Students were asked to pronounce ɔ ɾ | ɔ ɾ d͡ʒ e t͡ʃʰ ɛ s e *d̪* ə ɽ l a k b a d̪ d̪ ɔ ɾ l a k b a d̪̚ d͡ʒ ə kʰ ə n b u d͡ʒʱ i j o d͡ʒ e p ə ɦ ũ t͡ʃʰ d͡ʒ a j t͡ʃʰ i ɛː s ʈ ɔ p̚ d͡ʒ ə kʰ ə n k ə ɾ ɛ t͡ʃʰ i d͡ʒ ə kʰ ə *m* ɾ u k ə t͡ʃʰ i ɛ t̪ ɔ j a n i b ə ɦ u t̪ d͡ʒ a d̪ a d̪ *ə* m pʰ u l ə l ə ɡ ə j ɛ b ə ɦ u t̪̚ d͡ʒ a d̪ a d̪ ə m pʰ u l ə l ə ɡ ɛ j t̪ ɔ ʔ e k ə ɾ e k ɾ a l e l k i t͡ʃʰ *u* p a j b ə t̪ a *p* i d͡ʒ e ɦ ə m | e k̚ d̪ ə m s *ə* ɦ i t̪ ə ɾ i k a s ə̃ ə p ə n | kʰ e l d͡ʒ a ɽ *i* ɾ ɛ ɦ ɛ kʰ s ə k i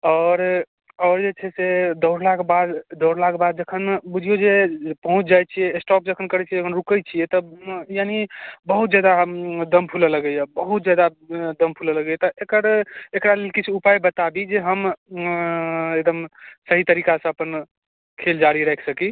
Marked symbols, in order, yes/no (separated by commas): yes, no, yes, yes, no, yes, yes